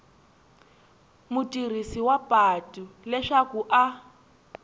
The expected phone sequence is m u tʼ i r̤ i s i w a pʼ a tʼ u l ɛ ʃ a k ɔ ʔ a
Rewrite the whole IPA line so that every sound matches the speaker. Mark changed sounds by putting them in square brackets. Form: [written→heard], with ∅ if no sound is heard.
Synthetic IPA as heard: m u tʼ i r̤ i s i w a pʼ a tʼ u l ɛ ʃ a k [ɔ→u] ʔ a